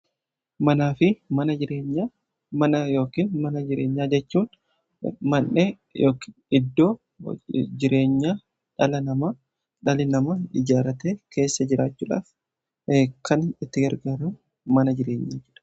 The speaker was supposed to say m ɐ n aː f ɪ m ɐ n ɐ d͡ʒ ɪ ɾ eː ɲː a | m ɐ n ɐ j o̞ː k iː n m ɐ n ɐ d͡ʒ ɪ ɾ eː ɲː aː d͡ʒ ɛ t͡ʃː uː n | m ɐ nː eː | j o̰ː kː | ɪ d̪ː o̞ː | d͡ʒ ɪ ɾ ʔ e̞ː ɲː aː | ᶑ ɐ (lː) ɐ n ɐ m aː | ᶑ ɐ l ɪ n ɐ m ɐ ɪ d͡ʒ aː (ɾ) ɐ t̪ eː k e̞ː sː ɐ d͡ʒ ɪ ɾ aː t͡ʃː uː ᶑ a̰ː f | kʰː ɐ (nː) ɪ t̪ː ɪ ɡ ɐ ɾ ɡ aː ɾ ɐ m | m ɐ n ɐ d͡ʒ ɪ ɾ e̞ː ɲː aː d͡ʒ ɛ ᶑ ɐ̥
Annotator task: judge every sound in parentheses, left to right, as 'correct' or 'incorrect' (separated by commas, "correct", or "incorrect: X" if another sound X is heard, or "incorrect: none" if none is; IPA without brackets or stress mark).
incorrect: l, correct, incorrect: n